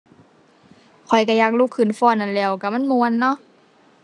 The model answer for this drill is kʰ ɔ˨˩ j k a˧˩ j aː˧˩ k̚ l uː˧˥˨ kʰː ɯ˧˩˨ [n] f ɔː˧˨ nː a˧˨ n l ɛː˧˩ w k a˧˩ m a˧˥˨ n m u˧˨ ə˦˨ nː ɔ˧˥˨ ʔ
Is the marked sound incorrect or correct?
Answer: correct